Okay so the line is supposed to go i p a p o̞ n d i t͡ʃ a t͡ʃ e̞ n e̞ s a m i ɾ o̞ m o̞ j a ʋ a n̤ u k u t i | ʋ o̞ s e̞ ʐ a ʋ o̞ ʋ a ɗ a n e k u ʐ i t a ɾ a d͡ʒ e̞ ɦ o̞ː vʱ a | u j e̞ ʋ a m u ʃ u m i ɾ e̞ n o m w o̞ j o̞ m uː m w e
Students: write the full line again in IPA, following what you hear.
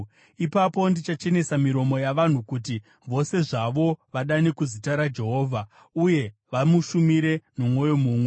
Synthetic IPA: i p a p o̞ n d i t͡ʃ a t͡ʃ e̞ n e̞ s a m i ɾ o̞ m o̞ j a ʋ a n̤ u k u t i | ʋ o̞ s e̞ ʐ a ʋ o̞ ʋ a ɗ a n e k u z i t a ɾ a d͡ʒ e̞ ɦ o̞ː vʱ a | u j e̞ ʋ a m u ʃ u m i ɾ e̞ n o m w o̞ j o̞ m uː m w e